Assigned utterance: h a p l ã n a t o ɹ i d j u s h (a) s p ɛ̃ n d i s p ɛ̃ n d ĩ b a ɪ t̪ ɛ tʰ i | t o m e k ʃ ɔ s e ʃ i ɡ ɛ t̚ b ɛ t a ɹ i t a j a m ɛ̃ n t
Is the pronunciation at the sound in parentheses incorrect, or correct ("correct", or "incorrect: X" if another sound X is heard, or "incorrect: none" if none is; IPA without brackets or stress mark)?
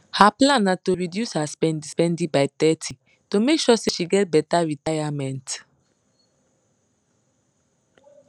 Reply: correct